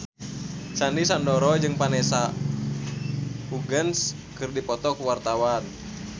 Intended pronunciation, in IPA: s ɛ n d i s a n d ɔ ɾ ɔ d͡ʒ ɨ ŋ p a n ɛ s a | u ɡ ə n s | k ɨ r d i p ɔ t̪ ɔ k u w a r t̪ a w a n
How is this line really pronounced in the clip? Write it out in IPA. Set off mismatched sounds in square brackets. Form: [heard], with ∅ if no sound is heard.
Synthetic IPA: s [a] n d i s a n d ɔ ɾ ɔ d͡ʒ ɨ ŋ p a n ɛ s a | u ɡ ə n s | k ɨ r d i p ɔ t̪ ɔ k u w a r t̪ a w a n